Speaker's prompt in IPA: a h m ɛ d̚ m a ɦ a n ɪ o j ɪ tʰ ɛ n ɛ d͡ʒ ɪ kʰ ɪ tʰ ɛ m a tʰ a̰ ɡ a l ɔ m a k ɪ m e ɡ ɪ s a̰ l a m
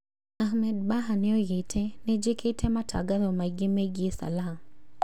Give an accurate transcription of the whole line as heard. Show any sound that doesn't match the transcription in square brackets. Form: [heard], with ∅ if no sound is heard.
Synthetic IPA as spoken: a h m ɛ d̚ [b] a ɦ a n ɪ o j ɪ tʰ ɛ n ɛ d͡ʒ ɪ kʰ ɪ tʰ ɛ m a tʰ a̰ ɡ a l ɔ m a [ɡ] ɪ m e ɡ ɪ s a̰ l a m